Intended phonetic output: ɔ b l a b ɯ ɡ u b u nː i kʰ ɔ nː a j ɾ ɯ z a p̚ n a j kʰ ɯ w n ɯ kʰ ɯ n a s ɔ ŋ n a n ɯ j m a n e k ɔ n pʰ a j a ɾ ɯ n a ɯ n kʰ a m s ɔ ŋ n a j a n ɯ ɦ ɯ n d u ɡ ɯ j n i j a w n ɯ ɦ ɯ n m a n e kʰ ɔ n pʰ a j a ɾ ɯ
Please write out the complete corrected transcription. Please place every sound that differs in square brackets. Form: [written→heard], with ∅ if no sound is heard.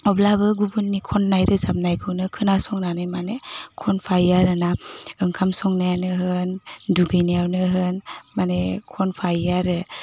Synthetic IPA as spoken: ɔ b l a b ɯ ɡ u b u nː i kʰ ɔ nː a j ɾ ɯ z a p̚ n a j kʰ ɯ w n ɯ kʰ ɯ n a s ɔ ŋ n a n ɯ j m a n e [k→kʰ] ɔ n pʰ a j a ɾ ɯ n a ɯ [n→ŋ] kʰ a m s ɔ ŋ n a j a n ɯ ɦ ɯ n d u ɡ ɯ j n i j a w n ɯ ɦ ɯ n m a n e kʰ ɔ n pʰ a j a ɾ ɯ